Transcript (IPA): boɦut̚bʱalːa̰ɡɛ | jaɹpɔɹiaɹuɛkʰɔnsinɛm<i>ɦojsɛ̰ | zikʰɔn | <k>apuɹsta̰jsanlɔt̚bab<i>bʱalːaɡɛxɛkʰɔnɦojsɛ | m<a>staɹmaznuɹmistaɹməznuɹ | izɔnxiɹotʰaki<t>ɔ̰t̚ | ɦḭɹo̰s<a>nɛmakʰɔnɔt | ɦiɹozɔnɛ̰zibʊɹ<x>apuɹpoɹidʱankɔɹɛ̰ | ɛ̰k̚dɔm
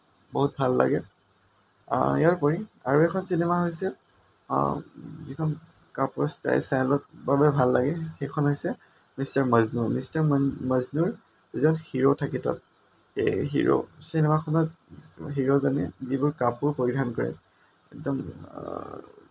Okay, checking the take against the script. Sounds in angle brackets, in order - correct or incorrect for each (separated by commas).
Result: incorrect, correct, incorrect, incorrect, correct, incorrect, incorrect